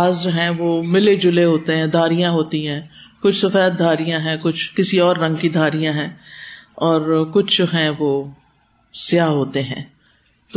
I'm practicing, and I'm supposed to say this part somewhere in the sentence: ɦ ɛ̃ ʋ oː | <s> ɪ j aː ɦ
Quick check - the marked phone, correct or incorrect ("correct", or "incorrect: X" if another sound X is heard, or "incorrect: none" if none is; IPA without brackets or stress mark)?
correct